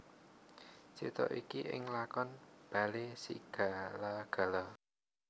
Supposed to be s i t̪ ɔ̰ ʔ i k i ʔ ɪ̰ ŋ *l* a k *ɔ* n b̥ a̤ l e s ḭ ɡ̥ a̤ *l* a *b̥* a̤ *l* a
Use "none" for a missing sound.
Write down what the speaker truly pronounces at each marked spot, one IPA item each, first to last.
l, ɔ, l, ɡ̥, l

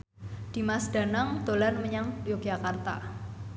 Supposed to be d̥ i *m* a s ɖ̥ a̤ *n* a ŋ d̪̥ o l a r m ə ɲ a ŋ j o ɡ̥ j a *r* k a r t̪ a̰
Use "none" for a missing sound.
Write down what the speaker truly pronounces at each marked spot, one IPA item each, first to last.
m, n, none

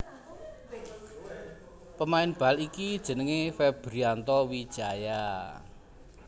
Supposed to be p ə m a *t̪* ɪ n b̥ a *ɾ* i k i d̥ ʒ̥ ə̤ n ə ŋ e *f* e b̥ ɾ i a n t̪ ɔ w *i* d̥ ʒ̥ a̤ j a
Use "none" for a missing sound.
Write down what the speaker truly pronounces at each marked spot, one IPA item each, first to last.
none, l, f, i

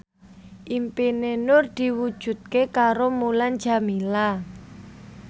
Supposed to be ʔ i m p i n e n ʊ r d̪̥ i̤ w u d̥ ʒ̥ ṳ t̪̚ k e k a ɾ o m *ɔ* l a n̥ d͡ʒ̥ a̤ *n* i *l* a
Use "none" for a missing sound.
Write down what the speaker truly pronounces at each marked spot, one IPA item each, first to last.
u, m, l

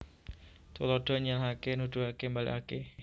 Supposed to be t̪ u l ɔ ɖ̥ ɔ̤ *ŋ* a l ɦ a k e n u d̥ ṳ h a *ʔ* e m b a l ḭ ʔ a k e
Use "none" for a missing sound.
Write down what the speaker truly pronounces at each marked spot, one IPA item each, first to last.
ɲ, k

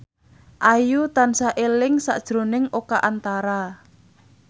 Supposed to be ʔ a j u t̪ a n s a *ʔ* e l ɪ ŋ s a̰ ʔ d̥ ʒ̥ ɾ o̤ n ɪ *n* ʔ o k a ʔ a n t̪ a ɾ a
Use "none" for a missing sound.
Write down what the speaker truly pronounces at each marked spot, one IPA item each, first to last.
ʔ, ŋ

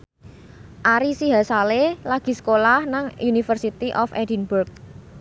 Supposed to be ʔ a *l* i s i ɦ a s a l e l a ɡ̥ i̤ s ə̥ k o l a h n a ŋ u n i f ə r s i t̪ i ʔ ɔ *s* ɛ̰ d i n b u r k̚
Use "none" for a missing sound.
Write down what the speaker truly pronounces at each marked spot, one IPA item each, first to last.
ɾ, f

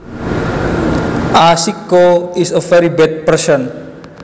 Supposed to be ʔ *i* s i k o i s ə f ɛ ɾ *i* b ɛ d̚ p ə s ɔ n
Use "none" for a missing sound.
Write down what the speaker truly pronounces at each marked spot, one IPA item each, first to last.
a, i

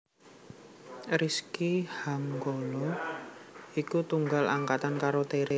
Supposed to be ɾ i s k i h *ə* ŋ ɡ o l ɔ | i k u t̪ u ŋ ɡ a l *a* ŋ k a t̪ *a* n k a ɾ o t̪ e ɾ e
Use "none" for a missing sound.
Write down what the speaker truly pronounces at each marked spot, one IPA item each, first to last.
a, a, a

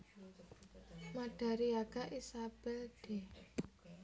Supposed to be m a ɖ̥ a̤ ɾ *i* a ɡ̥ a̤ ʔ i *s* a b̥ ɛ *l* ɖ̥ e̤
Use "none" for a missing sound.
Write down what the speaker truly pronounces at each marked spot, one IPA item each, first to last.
i, s, l

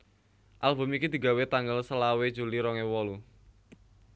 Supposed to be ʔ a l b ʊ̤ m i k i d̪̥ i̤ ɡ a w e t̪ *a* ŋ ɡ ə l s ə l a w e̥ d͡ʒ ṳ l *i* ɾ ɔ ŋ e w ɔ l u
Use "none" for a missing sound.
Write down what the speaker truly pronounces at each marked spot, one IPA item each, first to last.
a, i

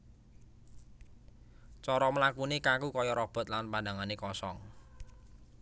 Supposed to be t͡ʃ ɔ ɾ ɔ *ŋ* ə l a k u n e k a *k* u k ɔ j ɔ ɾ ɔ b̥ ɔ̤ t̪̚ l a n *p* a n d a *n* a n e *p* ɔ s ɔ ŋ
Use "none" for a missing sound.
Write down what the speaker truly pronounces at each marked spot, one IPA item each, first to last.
m, k, p, ŋ, k

